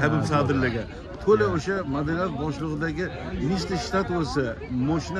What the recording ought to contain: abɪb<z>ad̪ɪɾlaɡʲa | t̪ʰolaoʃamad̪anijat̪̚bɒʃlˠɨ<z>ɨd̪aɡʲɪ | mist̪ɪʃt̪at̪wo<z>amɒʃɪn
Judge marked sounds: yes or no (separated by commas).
no, no, no